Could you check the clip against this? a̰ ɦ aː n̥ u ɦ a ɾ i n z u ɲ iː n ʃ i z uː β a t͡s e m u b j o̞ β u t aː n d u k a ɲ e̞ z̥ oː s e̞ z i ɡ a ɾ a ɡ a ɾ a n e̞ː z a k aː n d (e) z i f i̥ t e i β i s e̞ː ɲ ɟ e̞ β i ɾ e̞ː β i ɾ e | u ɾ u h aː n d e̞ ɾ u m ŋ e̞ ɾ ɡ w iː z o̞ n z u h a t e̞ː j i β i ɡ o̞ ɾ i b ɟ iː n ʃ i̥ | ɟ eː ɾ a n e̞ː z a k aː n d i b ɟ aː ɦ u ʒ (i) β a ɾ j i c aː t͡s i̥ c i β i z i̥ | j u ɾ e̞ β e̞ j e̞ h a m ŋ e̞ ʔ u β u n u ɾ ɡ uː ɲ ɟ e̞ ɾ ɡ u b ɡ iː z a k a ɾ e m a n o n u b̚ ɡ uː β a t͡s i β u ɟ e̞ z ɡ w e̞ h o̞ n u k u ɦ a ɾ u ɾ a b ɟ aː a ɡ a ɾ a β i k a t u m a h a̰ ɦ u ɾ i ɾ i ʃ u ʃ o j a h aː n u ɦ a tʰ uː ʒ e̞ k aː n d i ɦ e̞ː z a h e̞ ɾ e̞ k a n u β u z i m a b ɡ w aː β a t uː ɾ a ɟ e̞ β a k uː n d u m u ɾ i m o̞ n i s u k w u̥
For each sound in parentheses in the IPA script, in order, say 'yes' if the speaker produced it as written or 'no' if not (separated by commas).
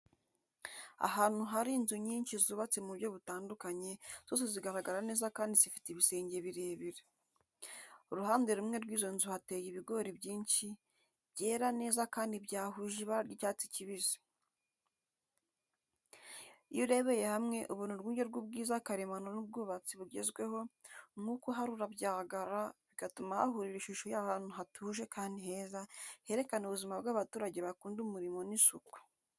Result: no, yes